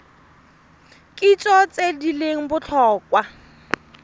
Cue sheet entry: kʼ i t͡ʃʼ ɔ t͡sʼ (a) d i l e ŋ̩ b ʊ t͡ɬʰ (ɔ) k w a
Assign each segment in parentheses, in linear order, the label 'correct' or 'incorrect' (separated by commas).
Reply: incorrect, incorrect